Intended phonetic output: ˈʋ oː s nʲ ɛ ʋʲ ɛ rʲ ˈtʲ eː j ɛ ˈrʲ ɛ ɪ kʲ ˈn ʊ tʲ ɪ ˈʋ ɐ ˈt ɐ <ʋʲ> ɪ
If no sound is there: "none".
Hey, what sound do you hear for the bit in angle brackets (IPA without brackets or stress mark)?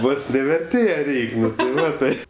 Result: none